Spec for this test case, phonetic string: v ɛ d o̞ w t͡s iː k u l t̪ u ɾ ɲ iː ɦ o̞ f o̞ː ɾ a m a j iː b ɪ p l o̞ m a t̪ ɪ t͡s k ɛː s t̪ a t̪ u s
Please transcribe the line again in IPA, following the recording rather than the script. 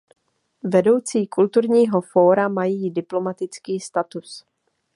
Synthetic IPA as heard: v ɛ d o̞ w t͡s iː k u l t̪ u ɾ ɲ iː ɦ o̞ f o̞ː ɾ a m a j iː d ɪ p l o̞ m a t̪ ɪ t͡s k iː s t̪ a t̪ u s

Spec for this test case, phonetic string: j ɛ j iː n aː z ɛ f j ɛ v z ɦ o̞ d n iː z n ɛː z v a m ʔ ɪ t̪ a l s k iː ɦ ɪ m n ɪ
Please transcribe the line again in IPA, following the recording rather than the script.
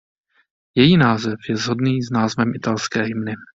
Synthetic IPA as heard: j ɛ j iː n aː z ɛ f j ɛ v z ɦ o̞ d n iː z n aː z v ɛ m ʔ ɪ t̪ a l s k ɛː ɦ ɪ m n ɪ

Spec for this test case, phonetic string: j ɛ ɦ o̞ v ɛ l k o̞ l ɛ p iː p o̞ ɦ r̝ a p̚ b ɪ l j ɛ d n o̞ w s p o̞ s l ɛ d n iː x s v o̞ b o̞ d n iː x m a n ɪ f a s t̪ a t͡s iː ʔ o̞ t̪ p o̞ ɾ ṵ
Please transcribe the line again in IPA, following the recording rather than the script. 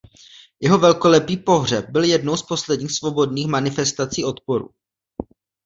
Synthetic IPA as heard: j ɛ ɦ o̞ v ɛ l k o̞ l ɛ p iː p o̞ ɦ r̝ ɛ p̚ b ɪ l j ɛ d n o̞ w s p o̞ s l ɛ d ɲ iː x s v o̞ b o̞ d n iː x m a n ɪ f ɛ s t̪ a t͡s iː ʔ o̞ t̪ p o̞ ɾ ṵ

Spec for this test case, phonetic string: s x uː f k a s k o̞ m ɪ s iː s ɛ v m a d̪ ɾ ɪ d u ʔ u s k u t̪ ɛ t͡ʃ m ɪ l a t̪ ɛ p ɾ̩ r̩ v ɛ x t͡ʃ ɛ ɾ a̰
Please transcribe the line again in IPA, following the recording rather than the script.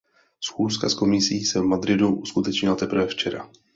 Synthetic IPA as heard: s x uː s k a s k o̞ m ɪ s iː s ɛ v m a d̪ ɾ ɪ d u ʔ u s k u t̪ ɛ t͡ʃ ɲ ɪ l a t̪ ɛ p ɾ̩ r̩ v ɛ f t͡ʃ ɛ ɾ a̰

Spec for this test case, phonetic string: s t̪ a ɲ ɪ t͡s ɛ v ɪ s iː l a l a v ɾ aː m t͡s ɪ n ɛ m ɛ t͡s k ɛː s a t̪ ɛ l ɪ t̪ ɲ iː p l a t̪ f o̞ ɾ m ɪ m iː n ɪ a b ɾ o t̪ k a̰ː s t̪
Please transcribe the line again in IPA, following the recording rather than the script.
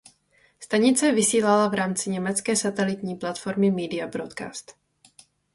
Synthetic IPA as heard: s t̪ a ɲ ɪ t͡s ɛ v ɪ s iː l a l a v ɾ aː m t͡s ɪ ɲ ɛ m ɛ t͡s k ɛː s a t̪ ɛ l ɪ t̪ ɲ iː p l a t̪ f o̞ ɾ m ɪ m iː d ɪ a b ɾ o t̪ k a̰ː s t̪

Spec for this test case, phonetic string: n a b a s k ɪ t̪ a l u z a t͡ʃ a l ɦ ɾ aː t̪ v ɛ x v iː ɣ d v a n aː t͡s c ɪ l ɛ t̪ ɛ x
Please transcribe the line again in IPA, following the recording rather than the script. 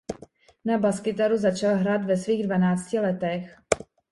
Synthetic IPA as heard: n a b a s k ɪ t̪ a ɾ u z a t͡ʃ a l ɦ ɾ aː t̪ v ɛ s v iː ɣ d v a n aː t͡s c ɪ l ɛ t̪ ɛ x

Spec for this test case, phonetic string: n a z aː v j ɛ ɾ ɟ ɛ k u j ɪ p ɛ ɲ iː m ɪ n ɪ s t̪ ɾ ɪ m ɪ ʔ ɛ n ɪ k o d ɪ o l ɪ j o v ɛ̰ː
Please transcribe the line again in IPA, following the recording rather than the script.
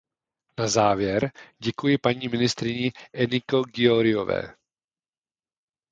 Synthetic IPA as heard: n a z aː v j ɛ ɾ ɟ ɛ k u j ɪ p a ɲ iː m ɪ n ɪ s t̪ ɾ ɪ ɲ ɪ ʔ ɛ n ɪ k o ɡ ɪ o ɾ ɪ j o v ɛ̰ː

